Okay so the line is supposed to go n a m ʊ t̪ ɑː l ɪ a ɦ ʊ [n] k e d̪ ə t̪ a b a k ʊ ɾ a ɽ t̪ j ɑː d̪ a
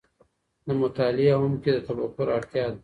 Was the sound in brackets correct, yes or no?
no